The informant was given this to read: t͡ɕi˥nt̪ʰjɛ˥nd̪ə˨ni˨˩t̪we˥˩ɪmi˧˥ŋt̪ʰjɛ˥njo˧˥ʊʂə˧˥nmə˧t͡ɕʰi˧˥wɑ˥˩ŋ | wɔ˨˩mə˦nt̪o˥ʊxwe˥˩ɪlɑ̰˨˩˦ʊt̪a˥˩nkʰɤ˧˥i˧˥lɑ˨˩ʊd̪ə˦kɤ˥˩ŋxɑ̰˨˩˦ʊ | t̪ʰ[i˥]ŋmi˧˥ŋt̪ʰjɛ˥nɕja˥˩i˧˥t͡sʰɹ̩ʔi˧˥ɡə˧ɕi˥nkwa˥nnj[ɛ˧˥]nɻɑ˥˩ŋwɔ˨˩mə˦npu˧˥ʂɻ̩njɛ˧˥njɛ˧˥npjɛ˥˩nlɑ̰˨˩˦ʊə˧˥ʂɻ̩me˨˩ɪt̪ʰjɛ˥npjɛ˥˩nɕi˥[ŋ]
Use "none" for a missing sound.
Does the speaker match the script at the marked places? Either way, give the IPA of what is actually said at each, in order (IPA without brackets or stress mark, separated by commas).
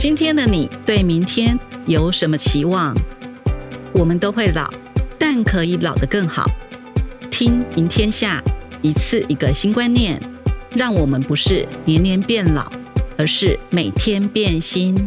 i˥, ɛ˥˨˩, n